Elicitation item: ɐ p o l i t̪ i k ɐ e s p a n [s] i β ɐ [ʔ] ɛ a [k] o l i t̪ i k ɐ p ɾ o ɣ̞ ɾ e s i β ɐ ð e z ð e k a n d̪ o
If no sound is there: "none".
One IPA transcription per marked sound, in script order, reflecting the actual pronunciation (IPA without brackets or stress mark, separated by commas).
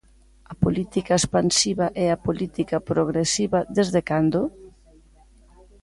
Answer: s, ʔ, p